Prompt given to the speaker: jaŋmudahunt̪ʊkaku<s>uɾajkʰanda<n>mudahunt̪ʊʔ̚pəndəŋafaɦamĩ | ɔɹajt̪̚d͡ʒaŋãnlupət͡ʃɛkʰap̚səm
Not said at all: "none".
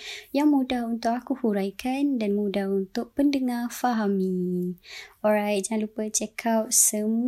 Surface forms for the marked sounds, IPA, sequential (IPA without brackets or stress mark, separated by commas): h, n